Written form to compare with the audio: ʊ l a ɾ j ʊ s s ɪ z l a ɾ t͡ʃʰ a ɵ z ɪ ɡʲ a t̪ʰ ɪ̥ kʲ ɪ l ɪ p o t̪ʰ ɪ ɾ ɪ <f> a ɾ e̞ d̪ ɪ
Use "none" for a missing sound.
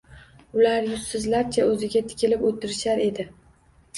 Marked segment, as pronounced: ʃ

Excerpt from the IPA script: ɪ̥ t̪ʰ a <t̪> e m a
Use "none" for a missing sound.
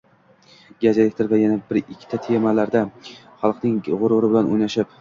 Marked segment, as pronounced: t̪ʰ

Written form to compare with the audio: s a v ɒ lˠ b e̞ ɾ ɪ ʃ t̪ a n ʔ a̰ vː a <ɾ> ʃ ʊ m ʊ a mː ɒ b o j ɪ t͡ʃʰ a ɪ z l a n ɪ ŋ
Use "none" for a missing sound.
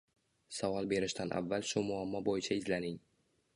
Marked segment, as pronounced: l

